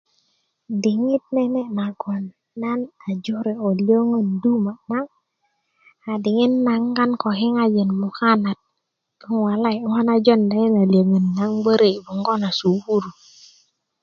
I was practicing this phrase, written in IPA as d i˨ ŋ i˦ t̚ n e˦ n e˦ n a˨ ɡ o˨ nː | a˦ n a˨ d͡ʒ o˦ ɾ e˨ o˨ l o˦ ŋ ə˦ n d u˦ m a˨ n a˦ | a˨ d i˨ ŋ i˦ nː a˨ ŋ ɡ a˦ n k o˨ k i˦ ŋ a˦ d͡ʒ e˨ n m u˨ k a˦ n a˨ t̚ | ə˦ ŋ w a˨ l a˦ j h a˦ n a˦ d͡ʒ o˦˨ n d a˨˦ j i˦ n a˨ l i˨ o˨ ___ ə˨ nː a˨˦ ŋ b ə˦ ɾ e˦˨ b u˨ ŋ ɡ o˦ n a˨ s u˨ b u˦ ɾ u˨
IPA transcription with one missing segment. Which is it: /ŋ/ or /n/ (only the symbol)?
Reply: ŋ